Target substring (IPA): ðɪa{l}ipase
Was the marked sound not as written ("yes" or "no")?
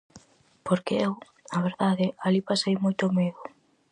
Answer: no